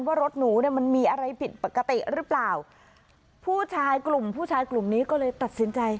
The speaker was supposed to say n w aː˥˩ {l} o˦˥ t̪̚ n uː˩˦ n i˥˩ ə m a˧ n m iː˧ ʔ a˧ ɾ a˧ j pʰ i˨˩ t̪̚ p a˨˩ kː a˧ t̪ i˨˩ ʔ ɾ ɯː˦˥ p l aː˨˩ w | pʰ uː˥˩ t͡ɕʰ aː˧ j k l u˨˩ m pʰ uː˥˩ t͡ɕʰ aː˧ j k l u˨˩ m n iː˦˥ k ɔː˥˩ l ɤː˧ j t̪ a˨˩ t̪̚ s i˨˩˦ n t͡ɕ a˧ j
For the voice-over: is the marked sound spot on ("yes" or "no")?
no